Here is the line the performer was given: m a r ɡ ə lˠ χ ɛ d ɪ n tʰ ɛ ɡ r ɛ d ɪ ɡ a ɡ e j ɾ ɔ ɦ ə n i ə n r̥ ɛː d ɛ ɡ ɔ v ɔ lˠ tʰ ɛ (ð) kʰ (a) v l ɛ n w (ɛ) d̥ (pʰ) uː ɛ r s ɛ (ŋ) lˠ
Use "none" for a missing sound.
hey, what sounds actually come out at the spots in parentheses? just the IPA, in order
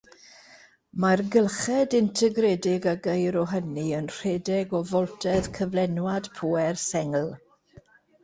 ð, ə, a, pʰ, ŋ

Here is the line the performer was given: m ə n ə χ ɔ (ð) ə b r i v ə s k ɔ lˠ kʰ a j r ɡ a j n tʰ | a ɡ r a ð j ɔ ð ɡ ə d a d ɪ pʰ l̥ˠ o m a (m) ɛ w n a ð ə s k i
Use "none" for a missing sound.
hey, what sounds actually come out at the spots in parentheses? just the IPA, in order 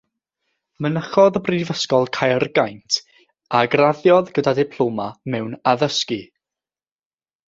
ð, m

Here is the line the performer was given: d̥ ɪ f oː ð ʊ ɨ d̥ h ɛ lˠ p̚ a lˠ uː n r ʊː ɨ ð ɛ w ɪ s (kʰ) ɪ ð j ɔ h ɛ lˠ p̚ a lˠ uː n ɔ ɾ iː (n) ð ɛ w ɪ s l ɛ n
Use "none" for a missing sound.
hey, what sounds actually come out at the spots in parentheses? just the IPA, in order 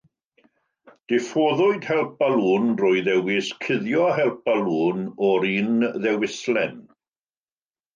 kʰ, n

